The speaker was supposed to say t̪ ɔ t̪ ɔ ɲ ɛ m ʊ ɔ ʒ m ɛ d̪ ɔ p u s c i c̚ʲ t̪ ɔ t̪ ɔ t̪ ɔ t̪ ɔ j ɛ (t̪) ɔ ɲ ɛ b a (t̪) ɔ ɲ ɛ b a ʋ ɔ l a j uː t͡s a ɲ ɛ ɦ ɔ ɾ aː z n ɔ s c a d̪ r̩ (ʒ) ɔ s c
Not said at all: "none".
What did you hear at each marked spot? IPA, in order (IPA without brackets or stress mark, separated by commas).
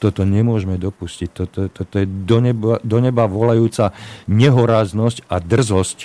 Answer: d̪, d̪, z